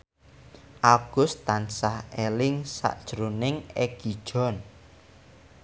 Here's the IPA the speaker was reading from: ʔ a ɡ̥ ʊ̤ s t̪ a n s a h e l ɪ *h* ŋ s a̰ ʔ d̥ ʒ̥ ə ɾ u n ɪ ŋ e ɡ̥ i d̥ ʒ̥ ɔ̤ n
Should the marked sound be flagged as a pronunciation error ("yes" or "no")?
yes